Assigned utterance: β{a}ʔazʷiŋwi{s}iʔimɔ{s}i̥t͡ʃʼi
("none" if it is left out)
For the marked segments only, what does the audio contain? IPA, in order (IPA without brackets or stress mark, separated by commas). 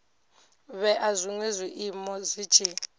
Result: ɛ, z, z